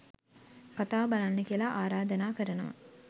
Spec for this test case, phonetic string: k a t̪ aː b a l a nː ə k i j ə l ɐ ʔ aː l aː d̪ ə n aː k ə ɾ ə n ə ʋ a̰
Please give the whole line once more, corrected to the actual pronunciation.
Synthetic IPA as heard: k a t̪ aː b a l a nː ə k i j ə l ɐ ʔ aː ɾ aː d̪ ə n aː k ə ɾ ə n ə ʋ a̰